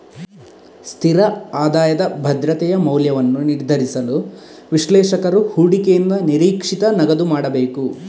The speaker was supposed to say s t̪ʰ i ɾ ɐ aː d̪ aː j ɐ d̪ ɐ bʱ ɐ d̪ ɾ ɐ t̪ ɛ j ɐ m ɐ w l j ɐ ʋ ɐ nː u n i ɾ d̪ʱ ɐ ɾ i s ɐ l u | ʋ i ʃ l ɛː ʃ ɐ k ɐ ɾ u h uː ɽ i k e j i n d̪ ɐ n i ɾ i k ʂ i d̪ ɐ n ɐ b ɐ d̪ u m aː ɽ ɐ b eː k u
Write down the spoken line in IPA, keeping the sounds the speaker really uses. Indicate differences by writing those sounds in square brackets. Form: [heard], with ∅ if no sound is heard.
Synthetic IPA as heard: s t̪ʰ i ɾ ɐ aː d̪ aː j ɐ d̪ ɐ bʱ ɐ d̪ ɾ ɐ t̪ ɛ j ɐ m ɐ w l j ɐ ʋ ɐ nː u n i ɾ d̪ʱ ɐ ɾ i s ɐ l u | ʋ i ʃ l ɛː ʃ ɐ k ɐ ɾ u h uː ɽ i k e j i n d̪ ɐ n i ɾ [iː] k ʂ i [t̪] ɐ n ɐ [ɡ] ɐ d̪ u m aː ɽ ɐ b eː k u